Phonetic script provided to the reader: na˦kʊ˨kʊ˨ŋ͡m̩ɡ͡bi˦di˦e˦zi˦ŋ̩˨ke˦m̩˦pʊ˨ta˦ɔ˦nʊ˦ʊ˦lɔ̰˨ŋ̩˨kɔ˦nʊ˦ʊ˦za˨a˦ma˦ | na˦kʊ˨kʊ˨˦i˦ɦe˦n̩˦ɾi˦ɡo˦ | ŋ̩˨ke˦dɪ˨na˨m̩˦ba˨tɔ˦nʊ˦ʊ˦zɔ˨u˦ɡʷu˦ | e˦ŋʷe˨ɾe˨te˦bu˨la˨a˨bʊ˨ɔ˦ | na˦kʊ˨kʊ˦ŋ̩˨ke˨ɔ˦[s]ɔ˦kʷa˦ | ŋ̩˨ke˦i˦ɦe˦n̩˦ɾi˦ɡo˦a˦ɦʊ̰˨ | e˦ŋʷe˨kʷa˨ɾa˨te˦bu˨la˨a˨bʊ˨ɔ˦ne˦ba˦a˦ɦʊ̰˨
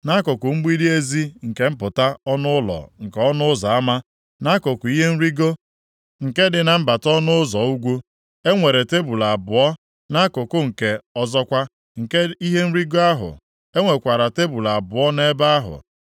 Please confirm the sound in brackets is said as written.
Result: no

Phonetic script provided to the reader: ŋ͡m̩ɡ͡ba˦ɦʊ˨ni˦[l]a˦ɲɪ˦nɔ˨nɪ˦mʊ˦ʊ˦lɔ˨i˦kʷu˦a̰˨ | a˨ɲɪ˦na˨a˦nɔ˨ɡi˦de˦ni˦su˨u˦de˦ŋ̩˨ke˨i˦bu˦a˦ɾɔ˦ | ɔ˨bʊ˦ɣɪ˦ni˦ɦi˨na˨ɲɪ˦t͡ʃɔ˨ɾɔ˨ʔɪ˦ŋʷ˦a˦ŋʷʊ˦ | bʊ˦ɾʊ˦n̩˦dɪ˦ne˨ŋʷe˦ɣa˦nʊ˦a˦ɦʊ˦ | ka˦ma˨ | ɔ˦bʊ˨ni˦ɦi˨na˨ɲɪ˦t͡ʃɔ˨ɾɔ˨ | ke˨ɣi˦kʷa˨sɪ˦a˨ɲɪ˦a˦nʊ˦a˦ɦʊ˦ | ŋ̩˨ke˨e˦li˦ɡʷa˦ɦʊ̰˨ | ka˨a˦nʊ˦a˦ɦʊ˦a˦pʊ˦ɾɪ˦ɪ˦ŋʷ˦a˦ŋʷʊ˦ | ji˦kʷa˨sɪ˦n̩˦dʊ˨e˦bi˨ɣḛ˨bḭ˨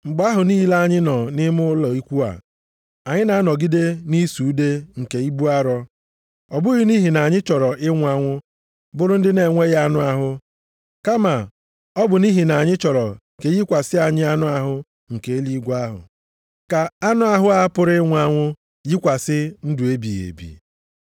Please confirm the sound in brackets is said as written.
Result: yes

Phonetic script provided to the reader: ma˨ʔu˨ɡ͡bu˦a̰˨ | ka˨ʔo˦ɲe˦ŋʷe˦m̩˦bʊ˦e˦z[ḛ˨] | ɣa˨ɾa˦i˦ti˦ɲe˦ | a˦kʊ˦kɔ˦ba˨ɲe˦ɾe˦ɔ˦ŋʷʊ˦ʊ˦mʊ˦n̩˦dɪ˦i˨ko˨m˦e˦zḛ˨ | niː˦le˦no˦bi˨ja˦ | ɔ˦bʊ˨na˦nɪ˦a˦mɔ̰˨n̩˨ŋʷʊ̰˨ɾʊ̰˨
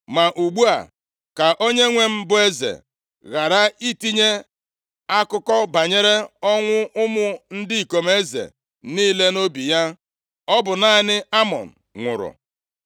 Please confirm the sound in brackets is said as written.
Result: yes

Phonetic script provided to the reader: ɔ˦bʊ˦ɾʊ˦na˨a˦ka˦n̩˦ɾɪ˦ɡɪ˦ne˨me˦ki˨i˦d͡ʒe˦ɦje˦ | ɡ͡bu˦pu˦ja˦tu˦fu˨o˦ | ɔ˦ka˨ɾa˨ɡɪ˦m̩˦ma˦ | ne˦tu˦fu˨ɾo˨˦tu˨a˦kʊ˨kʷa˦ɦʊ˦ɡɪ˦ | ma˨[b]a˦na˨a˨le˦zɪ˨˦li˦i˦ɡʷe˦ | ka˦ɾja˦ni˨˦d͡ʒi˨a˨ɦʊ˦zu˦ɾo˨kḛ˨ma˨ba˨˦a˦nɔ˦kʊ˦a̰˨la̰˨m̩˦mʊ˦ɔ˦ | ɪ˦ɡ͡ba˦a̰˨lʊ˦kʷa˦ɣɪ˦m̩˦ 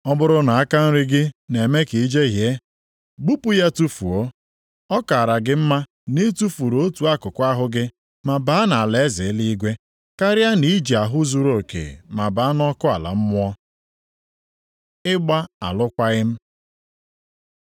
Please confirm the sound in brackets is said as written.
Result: yes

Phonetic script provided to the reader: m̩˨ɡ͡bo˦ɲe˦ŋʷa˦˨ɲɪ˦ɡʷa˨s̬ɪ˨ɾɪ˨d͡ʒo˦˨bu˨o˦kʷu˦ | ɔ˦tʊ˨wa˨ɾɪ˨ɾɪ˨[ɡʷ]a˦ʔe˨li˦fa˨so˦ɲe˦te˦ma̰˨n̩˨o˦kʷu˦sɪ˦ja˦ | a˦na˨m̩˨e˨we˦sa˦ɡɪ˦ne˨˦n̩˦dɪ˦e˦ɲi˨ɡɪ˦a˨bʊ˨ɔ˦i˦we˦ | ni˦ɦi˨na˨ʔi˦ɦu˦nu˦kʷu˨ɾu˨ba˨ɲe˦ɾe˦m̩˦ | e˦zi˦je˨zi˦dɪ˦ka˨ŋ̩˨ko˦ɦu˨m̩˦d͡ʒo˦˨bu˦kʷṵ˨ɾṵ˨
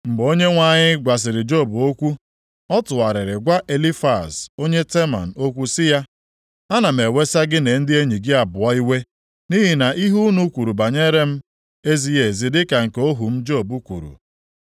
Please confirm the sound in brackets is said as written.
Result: yes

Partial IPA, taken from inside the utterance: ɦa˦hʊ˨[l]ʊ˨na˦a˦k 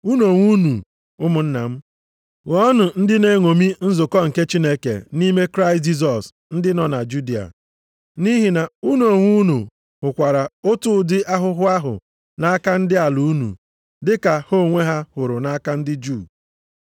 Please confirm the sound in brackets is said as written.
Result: no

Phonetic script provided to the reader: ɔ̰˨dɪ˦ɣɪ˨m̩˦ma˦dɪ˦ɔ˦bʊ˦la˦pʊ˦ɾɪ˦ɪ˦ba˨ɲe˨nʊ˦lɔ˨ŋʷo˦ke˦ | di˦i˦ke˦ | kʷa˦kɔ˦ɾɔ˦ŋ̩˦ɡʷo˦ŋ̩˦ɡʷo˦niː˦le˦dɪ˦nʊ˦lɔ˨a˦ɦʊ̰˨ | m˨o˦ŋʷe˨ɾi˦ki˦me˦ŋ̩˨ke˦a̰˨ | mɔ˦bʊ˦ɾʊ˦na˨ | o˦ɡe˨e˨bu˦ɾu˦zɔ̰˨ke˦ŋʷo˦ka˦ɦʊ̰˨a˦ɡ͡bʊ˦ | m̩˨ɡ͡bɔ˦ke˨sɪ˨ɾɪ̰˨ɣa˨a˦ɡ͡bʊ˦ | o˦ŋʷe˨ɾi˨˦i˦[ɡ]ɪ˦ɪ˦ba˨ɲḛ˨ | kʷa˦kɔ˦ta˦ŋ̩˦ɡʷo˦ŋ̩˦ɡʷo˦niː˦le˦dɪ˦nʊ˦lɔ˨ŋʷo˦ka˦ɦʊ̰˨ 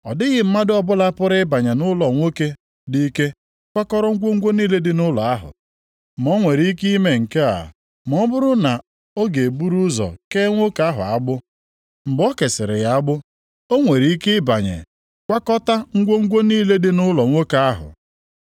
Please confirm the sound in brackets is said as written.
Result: no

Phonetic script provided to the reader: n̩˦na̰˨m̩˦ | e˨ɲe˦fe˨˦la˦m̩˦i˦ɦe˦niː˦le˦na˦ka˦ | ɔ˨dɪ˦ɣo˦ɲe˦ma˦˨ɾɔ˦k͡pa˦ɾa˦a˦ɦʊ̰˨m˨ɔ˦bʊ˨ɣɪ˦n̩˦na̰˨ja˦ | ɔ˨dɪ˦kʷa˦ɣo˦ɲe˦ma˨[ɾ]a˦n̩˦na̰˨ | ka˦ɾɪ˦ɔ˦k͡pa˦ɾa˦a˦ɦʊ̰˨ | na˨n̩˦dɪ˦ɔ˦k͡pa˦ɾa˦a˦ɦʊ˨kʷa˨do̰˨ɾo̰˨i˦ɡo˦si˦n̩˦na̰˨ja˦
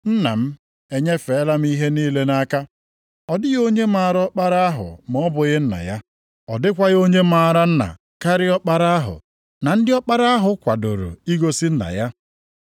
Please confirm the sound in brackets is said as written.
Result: yes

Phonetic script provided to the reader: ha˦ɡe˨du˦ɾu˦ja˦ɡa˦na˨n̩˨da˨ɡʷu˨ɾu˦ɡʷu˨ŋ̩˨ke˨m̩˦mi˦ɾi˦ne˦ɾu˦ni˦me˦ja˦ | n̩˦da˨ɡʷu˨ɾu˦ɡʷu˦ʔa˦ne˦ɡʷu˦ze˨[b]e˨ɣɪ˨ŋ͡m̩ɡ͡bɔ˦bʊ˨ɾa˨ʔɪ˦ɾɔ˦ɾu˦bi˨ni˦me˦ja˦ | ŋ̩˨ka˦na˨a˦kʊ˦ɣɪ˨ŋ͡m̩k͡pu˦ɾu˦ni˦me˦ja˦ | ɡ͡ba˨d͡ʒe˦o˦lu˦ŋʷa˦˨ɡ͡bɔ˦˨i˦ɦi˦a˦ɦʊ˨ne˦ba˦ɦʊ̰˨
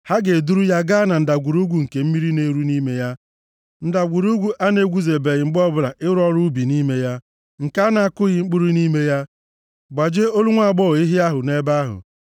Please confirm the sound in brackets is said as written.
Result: yes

